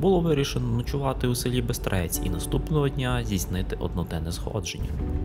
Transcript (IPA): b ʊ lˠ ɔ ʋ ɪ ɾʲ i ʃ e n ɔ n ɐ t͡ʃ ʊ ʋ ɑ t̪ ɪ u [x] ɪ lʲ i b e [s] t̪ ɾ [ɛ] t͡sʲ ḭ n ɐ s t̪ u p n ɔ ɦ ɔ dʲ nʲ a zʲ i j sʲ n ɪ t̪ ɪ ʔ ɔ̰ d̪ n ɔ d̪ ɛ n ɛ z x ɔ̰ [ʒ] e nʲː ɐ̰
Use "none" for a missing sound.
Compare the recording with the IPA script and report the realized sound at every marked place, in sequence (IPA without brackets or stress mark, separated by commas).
s, s, ɛ, d͡ʒ